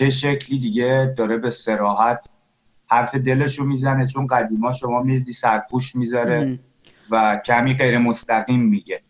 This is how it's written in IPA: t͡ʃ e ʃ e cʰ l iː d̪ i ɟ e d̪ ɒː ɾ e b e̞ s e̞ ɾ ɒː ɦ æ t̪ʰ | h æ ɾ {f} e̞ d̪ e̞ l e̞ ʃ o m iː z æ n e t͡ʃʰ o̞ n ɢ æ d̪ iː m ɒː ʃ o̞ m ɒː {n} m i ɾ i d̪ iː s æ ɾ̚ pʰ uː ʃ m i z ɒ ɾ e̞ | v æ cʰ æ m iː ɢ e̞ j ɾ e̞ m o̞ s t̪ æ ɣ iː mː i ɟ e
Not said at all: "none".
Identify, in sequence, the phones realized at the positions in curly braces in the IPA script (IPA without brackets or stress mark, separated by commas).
f, none